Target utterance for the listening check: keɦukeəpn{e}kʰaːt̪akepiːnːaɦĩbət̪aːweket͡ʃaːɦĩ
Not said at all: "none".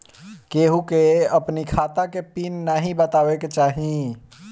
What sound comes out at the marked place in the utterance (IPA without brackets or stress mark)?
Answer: i